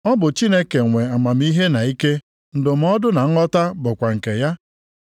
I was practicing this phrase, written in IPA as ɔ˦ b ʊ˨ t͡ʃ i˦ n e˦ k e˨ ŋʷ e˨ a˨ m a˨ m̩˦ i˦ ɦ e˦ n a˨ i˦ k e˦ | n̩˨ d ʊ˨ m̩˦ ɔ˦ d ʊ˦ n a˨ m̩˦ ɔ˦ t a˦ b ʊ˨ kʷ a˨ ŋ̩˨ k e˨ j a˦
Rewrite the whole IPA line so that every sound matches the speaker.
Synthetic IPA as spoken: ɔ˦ b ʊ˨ t͡ʃ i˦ n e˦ k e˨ ŋʷ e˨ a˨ m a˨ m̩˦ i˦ ɦ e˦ n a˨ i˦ k e˦ | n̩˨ d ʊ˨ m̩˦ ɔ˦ d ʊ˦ n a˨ ŋ̩˦ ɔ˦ t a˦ b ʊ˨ kʷ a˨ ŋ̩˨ k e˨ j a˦